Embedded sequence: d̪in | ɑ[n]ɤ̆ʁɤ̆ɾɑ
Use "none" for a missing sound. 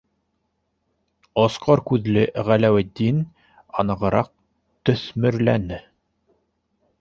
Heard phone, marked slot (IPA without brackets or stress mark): n